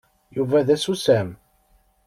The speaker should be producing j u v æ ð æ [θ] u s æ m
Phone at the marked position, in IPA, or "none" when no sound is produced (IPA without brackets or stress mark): s